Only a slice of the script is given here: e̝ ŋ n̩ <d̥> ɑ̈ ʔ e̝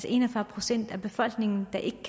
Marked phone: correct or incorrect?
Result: correct